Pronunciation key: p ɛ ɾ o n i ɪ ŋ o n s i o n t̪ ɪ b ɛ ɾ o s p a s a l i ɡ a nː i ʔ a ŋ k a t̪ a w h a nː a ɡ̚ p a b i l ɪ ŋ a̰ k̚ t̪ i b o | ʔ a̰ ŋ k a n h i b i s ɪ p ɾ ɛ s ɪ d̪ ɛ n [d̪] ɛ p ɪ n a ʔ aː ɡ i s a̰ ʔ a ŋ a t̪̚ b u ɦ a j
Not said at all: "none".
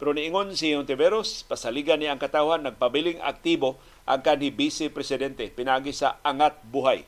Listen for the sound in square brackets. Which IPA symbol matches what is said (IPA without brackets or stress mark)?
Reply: t̪